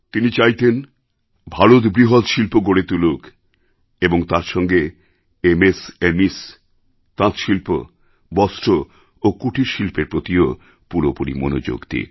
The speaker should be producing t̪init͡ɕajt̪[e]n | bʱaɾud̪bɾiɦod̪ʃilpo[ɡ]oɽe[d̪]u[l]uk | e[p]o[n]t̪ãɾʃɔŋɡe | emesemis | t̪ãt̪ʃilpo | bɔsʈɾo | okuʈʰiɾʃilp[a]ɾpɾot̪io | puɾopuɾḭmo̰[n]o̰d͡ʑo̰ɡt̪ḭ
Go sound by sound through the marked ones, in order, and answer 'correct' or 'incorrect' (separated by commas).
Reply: correct, correct, incorrect, correct, incorrect, incorrect, incorrect, correct